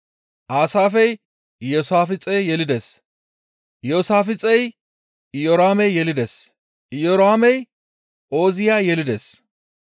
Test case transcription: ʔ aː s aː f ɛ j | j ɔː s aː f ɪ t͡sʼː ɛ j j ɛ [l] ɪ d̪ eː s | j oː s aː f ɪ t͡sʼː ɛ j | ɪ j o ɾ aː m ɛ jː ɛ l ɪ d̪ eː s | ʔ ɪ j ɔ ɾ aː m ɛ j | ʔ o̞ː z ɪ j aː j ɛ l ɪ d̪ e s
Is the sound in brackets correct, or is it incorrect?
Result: correct